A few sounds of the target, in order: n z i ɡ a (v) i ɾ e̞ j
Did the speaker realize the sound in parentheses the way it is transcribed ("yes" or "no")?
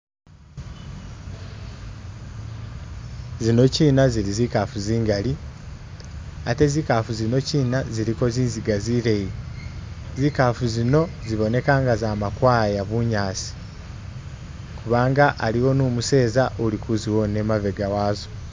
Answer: no